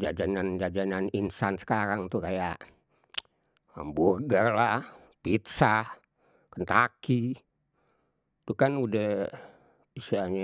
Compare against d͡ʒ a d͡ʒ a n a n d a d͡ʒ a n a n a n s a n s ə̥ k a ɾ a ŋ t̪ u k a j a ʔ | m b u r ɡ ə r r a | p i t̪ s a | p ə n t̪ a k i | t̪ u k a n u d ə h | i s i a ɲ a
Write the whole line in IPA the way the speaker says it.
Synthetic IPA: d͡ʒ a d͡ʒ a n a n d͡ʒ a d͡ʒ a n a n i n s a n s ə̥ k a ɾ a ŋ t̪ u k a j a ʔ | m b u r ɡ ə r l a | p i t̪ s a | k ə n t̪ a k i | t̪ u k a n u d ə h | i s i a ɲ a